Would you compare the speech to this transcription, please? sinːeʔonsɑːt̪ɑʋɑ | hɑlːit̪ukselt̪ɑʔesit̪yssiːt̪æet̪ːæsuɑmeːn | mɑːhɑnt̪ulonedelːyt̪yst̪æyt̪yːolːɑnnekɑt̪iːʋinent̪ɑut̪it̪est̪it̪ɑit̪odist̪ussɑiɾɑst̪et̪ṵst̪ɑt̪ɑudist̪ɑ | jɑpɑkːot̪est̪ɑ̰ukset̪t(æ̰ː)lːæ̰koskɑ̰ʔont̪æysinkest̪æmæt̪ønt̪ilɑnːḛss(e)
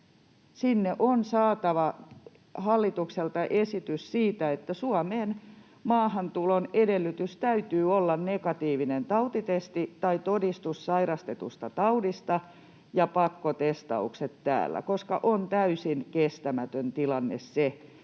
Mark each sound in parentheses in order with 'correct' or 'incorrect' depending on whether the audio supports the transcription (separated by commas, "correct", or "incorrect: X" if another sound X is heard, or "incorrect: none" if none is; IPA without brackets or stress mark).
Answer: correct, correct